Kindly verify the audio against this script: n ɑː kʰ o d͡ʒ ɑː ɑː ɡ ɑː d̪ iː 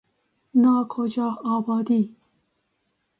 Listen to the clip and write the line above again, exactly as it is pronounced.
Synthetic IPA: n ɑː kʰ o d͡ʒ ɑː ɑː b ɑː d̪ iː